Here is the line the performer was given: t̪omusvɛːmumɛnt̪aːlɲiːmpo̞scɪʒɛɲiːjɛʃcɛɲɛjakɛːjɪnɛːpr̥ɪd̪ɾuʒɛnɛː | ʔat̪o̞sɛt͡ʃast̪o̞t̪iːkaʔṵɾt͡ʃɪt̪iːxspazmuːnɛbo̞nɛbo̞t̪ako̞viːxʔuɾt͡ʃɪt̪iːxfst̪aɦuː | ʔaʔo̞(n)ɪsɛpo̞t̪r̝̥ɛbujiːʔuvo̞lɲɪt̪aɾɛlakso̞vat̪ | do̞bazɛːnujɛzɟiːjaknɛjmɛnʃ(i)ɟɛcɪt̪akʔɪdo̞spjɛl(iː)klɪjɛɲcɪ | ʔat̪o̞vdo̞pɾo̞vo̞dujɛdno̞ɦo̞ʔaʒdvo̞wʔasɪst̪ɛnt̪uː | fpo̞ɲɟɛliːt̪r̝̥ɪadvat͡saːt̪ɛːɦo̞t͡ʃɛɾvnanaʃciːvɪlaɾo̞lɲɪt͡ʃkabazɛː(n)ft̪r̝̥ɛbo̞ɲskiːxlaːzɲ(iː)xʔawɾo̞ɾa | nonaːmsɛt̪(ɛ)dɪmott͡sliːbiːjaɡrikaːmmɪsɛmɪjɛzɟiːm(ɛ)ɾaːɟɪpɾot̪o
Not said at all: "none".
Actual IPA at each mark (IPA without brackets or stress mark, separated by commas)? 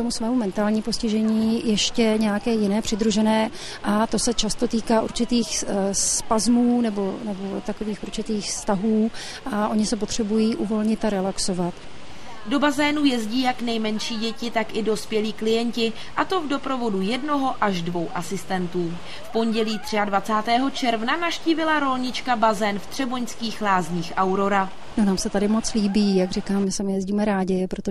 ɲ, iː, iː, n, iː, a, ɛ